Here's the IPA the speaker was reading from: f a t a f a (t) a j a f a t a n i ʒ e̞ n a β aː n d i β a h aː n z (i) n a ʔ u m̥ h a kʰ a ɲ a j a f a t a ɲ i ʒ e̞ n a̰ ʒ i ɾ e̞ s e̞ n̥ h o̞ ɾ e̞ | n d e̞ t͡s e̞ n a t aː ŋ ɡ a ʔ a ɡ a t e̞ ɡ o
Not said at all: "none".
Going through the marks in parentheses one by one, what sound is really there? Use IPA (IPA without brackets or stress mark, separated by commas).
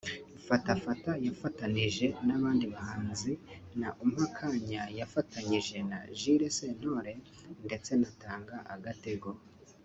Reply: t, i